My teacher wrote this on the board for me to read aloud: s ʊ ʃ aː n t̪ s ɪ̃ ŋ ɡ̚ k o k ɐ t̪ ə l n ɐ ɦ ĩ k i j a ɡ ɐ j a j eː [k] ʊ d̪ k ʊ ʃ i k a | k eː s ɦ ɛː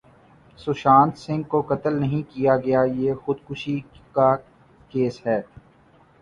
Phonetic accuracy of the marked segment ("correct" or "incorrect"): incorrect